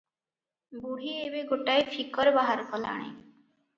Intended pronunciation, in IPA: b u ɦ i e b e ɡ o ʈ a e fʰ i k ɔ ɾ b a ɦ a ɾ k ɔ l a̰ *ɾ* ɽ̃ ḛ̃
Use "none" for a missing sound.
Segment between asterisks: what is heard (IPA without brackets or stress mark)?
none